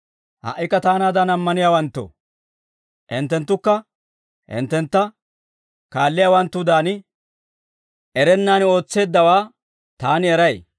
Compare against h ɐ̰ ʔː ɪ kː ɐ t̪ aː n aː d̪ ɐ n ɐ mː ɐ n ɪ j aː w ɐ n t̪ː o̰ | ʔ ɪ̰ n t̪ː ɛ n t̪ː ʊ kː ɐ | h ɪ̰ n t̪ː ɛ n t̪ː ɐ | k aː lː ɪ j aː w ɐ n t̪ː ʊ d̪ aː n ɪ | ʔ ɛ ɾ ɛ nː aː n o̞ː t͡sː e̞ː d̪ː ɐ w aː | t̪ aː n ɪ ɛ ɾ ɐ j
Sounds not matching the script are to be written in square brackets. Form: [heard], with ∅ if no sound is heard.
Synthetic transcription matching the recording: h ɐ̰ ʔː ɪ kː ɐ t̪ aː n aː d̪ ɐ n ɐ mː ɐ n ɪ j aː w ɐ n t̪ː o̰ | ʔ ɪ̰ n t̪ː ɛ n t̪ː ʊ kː ɐ | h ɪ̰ n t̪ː ɛ n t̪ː ɐ | k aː lː ɪ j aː w ɐ n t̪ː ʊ d̪ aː n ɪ | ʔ ɛ ɾ ɛ nː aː n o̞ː t͡sː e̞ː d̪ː ɐ w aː | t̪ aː n ɪ ɛ ɾ ɐ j